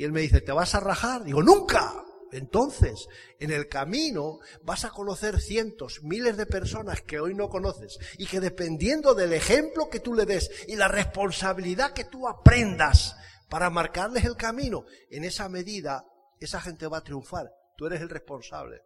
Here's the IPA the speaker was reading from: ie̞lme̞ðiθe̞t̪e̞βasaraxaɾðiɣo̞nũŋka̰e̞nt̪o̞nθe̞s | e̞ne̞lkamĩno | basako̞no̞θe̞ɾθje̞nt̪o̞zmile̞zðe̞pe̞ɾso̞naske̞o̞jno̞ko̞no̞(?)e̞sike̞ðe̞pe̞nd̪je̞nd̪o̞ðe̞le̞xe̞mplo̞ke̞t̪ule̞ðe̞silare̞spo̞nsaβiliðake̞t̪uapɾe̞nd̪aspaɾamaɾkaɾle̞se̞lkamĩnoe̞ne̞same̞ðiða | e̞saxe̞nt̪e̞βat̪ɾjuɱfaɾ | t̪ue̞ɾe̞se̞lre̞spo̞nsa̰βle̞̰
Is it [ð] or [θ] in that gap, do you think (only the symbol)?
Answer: θ